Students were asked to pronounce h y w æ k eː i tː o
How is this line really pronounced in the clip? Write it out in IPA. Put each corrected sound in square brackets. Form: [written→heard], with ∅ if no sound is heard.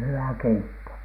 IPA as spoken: h y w æ k [eː→e] i tː o